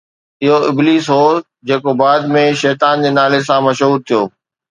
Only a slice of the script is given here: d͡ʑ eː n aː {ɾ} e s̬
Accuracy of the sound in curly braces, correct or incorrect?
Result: incorrect